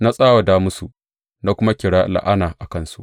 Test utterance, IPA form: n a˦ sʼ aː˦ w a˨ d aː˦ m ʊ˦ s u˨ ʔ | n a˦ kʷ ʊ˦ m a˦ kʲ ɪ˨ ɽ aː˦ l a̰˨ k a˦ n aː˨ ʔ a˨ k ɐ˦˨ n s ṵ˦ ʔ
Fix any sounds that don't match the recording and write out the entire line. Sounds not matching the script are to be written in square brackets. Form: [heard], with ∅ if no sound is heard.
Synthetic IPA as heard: n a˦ sʼ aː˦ w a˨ d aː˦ m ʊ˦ s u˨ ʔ | n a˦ kʷ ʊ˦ m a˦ kʲ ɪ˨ ɽ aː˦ l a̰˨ [ʔ] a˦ n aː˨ ʔ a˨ k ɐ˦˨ n s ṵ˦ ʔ